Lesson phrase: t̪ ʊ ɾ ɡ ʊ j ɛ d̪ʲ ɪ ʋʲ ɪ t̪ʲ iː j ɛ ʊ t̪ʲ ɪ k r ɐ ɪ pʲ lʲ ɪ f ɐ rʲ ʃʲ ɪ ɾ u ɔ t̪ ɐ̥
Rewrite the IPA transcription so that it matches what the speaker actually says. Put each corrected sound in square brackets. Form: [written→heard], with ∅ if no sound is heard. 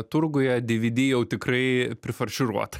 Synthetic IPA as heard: t̪ ʊ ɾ ɡ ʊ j ɛ d̪ʲ ɪ ʋʲ ɪ [t̪ʲ→d̪ʲ] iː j ɛ ʊ t̪ʲ ɪ k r ɐ ɪ pʲ [lʲ→ɾʲ] ɪ f ɐ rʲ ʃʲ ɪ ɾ u ɔ t̪ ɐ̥

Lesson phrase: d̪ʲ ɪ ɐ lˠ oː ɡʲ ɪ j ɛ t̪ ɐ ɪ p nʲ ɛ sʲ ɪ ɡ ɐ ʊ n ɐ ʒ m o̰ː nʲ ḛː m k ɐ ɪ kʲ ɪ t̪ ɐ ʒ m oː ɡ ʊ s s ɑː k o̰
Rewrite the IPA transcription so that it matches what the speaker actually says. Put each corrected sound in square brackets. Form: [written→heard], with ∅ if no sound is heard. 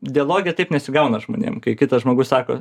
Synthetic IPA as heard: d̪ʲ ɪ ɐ lˠ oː ɡʲ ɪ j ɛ t̪ ɐ ɪ p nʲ ɛ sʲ ɪ ɡ ɐ ʊ n ɐ ʒ m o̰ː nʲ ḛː m k ɐ ɪ kʲ ɪ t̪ ɐ ʒ m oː ɡ ʊ s s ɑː k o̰

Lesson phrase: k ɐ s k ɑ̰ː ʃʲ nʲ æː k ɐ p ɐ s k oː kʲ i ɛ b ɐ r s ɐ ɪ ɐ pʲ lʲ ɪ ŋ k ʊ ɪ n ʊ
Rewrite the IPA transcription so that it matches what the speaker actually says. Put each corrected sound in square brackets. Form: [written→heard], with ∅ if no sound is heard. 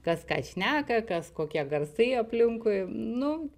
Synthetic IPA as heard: k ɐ s k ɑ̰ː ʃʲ nʲ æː k ɐ [p→k] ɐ s k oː kʲ i ɛ [b→ɡ] ɐ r s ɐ ɪ ɐ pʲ lʲ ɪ ŋ k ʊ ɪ n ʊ

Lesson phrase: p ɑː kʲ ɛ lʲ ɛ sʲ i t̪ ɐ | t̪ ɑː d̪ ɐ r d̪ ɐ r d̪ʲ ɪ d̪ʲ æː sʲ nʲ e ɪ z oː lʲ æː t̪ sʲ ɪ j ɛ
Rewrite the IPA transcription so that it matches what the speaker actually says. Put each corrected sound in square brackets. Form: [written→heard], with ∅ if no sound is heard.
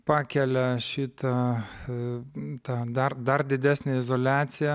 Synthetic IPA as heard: p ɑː kʲ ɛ lʲ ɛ [sʲ→ʃʲ] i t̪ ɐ | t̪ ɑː d̪ ɐ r d̪ ɐ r d̪ʲ ɪ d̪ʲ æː sʲ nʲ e ɪ z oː lʲ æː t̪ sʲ ɪ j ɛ

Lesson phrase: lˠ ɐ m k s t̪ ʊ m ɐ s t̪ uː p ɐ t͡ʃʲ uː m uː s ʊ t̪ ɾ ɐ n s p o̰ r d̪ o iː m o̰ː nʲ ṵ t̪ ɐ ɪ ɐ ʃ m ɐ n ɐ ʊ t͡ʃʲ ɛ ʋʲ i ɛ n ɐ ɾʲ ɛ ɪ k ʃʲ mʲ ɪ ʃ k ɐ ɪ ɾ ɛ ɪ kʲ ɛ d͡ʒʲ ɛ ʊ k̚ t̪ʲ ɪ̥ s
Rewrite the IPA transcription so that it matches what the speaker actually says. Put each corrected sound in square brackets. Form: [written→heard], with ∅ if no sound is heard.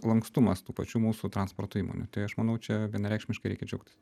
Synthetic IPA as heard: lˠ ɐ [m→ŋ] k s t̪ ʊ m ɐ s t̪ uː p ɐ t͡ʃʲ uː m uː s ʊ t̪ ɾ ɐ n s p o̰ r [d̪→t̪] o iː m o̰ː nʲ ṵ t̪ ɐ ɪ ɐ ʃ m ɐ n ɐ ʊ t͡ʃʲ ɛ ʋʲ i ɛ n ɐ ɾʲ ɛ ɪ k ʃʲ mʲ ɪ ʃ k ɐ ɪ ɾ ɛ ɪ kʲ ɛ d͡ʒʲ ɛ ʊ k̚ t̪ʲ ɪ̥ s

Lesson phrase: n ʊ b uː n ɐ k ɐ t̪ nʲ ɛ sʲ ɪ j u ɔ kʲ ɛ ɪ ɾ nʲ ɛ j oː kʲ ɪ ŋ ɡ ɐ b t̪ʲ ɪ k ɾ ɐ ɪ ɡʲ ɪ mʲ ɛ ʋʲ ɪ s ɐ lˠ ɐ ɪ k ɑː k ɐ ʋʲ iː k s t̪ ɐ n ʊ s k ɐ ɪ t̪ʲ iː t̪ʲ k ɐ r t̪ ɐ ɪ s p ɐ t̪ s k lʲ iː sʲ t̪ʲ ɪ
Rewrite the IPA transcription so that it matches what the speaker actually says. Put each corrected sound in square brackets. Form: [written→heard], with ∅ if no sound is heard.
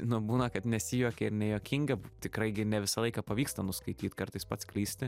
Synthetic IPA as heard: n ʊ b uː n ɐ k ɐ t̪ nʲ ɛ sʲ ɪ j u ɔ kʲ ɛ ɪ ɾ nʲ ɛ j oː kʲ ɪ ŋ ɡ ɐ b t̪ʲ ɪ k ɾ ɐ ɪ ɡʲ ɪ [mʲ→nʲ] ɛ ʋʲ ɪ s ɐ lˠ ɐ ɪ k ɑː [k→p] ɐ ʋʲ iː k s t̪ ɐ n ʊ s k ɐ ɪ t̪ʲ iː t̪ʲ k ɐ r t̪ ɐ ɪ s p ɐ t̪ s k lʲ iː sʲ t̪ʲ ɪ

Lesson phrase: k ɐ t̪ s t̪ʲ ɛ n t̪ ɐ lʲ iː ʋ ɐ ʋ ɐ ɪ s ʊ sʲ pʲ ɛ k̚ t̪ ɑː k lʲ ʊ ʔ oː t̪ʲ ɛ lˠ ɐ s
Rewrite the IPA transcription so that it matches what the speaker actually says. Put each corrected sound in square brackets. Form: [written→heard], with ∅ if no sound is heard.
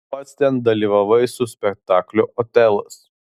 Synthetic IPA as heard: [k→p] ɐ t̪ s t̪ʲ ɛ n [t̪→d̪] ɐ lʲ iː ʋ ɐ ʋ ɐ ɪ s ʊ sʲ pʲ ɛ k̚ t̪ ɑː k lʲ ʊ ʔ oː t̪ʲ ɛ lˠ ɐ s

